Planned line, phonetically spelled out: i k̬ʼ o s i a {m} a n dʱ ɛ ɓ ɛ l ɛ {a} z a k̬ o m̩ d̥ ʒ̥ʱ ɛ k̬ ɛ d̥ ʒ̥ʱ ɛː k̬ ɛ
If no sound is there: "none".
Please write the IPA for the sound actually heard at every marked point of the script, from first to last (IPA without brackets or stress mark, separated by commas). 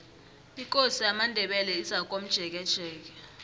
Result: m, i